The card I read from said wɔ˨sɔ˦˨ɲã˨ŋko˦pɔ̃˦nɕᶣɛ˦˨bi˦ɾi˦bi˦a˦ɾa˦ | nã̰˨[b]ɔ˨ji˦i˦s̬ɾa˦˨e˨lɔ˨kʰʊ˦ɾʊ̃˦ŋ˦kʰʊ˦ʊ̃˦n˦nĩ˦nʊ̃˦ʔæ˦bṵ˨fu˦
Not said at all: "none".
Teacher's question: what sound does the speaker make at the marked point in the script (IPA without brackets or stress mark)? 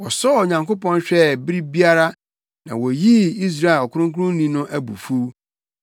w